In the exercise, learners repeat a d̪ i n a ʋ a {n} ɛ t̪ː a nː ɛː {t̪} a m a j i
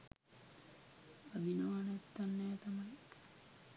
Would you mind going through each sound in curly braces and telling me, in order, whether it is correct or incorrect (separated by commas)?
correct, correct